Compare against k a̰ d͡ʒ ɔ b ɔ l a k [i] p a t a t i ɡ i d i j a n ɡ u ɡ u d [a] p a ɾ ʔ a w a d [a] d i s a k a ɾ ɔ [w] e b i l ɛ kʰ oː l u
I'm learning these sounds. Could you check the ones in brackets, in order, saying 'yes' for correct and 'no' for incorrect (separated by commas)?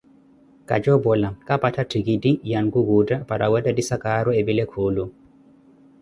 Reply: no, yes, yes, no